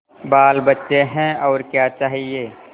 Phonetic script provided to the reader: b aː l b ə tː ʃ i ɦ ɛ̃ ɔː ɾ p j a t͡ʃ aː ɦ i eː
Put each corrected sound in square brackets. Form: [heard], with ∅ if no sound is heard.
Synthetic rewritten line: b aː l b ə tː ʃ [e] ɦ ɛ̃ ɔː ɾ [k] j a t͡ʃ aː ɦ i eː